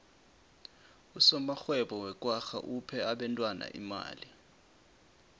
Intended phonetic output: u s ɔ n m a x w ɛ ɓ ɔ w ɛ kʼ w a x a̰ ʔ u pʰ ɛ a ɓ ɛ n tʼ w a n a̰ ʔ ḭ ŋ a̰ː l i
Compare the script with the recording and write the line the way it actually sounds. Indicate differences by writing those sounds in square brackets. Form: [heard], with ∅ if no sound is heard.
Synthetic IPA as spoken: u s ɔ [∅] m a x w ɛ ɓ ɔ w ɛ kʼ w a x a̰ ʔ u pʰ ɛ a ɓ ɛ n tʼ w a n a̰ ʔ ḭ [m] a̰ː l i